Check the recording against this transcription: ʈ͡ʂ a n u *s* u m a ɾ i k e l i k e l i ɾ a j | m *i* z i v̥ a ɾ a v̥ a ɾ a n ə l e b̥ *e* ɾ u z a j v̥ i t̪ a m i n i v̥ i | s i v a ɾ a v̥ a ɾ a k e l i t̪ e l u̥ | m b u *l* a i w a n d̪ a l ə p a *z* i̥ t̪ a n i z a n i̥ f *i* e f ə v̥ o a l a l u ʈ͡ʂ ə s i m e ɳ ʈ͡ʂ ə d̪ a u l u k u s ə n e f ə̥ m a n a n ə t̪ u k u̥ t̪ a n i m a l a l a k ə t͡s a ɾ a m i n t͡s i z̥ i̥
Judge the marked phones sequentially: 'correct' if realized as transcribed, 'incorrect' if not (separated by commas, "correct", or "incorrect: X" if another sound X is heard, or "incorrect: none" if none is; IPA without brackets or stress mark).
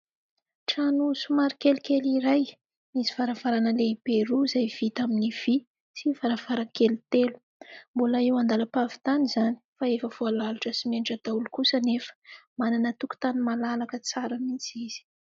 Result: correct, correct, correct, correct, incorrect: v, incorrect: a